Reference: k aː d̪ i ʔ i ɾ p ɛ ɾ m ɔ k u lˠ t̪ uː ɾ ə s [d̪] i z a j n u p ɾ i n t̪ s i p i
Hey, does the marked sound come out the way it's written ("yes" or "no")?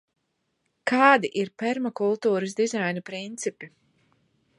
yes